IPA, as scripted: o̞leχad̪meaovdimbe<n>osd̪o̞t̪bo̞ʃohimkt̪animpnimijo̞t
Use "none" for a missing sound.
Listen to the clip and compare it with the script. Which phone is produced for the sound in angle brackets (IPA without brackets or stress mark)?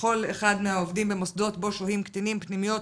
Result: m